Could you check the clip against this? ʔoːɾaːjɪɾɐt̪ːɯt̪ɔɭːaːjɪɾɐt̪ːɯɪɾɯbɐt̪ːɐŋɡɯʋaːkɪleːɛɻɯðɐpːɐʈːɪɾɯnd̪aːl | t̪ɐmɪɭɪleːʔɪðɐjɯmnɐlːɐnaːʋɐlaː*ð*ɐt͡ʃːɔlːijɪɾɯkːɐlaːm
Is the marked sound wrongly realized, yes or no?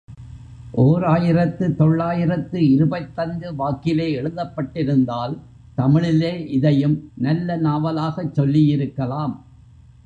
yes